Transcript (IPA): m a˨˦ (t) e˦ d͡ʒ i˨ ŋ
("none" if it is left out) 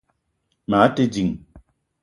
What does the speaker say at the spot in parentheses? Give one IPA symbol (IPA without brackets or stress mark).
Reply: t